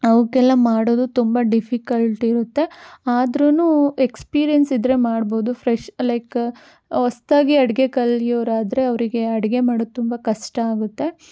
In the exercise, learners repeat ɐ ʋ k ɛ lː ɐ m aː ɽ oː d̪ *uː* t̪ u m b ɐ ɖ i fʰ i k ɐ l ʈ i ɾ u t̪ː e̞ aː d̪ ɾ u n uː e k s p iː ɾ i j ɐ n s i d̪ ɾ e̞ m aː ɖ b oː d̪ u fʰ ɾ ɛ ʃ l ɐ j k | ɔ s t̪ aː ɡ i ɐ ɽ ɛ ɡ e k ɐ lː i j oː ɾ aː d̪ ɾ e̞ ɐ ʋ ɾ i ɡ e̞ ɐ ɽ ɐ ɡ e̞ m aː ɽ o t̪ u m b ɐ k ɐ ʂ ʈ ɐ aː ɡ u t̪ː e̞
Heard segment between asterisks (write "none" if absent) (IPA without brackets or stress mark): u